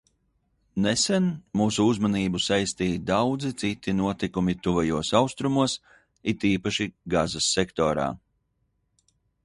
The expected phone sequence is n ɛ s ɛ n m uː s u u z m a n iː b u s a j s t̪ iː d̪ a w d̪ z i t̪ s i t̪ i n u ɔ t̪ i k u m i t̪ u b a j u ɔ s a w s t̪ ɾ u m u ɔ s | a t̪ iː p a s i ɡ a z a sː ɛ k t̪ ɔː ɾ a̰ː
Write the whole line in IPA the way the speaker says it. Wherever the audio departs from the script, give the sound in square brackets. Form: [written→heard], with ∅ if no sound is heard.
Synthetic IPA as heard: n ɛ s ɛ n m uː s u u z m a n iː b u s a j s t̪ iː d̪ a w d̪ z i t̪ s i t̪ i n u ɔ t̪ i k u m i t̪ u [b→v] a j u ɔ s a w s t̪ ɾ u m u ɔ s | [a→i] t̪ iː p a [s→ʃ] i ɡ a z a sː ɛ k t̪ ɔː ɾ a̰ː